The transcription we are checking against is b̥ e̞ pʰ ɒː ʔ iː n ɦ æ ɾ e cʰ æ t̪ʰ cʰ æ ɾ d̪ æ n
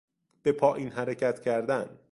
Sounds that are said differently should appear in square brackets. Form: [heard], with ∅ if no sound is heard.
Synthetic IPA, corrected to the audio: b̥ e̞ pʰ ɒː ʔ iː n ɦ æ ɾ e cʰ æ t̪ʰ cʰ æ ɾ d̪ æ n